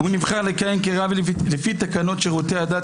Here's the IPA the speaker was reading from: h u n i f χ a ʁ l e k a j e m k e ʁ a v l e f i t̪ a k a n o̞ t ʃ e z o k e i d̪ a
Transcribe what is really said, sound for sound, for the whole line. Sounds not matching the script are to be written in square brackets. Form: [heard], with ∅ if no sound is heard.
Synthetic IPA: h u n i [v] χ a ʁ l e k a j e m k e ʁ a v l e f i t̪ a k a n o̞ t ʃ e [ʁ] o [t] e [a] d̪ a